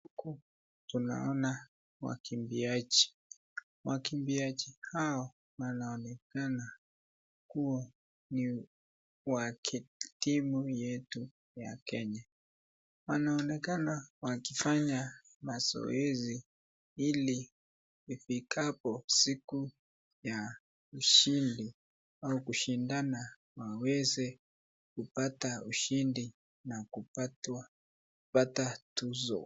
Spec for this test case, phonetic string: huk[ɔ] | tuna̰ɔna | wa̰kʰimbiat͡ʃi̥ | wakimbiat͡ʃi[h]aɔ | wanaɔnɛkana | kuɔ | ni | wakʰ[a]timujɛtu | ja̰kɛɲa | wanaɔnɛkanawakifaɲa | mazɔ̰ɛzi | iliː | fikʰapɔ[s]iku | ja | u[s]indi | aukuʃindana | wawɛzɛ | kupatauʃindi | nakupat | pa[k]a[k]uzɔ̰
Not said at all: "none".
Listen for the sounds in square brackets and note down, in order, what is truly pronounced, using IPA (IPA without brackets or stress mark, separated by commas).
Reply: u, h, i, s, ʃ, t, t